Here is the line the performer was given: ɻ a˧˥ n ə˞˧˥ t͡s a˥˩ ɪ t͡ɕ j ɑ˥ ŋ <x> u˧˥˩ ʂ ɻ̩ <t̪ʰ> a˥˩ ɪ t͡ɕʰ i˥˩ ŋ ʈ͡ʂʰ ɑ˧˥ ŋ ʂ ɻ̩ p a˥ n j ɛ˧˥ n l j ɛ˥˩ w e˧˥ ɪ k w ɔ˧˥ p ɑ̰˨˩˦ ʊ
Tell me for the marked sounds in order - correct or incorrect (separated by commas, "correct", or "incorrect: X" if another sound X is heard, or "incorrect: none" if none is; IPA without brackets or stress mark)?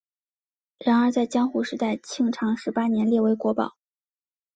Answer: correct, incorrect: t̪